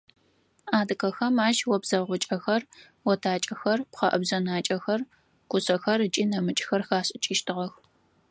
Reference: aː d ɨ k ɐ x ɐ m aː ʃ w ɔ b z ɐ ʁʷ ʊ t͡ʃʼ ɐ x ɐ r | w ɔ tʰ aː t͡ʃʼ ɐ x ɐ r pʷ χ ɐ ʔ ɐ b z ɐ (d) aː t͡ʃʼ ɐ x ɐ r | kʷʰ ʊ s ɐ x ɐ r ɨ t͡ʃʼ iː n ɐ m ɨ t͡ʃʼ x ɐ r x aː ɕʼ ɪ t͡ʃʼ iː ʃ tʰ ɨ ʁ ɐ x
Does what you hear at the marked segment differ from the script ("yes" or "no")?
yes